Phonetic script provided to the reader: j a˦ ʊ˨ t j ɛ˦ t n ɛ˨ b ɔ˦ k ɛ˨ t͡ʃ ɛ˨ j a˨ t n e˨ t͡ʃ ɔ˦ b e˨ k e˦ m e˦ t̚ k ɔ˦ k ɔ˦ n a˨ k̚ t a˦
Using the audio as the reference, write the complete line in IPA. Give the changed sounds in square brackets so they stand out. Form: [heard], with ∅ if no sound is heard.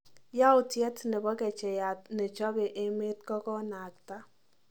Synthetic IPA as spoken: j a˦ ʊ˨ t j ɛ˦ t n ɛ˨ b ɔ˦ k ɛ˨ t͡ʃ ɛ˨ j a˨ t n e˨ t͡ʃ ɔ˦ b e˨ [ʔ] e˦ m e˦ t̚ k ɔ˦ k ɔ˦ n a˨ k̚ t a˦